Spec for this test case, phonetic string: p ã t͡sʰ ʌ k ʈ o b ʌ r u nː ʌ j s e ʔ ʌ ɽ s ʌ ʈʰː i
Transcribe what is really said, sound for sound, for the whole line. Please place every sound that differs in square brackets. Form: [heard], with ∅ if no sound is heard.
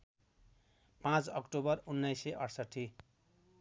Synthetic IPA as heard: p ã [t͡s] ʌ k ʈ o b ʌ r u nː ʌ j s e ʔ ʌ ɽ s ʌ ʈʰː i